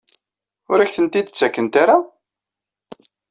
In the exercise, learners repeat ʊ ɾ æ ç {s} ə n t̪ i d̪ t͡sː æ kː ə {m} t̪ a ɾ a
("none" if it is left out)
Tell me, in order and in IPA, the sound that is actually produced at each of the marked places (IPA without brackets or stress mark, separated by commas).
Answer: θ, n